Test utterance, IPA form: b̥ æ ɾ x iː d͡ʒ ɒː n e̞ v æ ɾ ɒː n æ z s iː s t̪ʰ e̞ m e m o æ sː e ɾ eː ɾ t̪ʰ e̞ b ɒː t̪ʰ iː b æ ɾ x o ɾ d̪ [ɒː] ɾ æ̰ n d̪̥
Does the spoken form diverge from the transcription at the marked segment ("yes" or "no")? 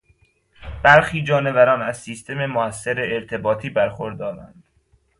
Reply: no